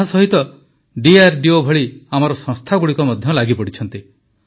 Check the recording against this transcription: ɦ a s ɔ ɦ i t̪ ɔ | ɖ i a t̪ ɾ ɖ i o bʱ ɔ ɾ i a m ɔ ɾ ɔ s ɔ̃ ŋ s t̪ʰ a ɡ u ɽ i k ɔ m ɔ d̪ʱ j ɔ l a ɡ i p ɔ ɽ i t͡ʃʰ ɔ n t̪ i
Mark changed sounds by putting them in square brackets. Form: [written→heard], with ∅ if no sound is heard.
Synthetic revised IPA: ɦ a s ɔ ɦ i t̪ ɔ | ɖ i a [t̪→∅] ɾ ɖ i o bʱ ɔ [ɾ→ɭ] i a m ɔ ɾ ɔ s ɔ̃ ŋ s t̪ʰ a ɡ u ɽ i k ɔ m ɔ d̪ʱ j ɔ l a ɡ i p ɔ ɽ i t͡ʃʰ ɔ n t̪ i

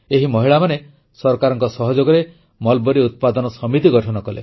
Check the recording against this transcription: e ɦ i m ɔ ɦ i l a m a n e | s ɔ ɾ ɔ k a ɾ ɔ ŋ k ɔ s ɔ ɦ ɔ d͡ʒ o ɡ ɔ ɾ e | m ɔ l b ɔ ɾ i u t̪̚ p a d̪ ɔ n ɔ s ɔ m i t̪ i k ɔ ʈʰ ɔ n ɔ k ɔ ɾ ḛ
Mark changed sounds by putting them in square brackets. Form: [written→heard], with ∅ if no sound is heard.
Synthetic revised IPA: e ɦ i m ɔ ɦ i [l→ɭ] a m a n e | s ɔ ɾ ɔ k a ɾ ɔ ŋ k ɔ s ɔ ɦ ɔ d͡ʒ o ɡ ɔ ɾ e | m ɔ l b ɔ ɾ i u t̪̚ p a d̪ ɔ n ɔ s ɔ m i t̪ i [k→ɡ] ɔ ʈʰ ɔ n ɔ k ɔ [ɾ→l] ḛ

